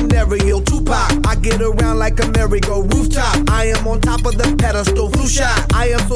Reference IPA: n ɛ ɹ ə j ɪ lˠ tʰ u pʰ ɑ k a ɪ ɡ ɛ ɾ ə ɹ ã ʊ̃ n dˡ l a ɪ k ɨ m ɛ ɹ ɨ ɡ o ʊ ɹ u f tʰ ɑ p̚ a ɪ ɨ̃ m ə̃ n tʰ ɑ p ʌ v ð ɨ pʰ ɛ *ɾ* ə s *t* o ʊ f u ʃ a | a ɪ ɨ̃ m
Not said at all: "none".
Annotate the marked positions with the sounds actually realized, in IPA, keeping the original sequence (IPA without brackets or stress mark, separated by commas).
ɾ, t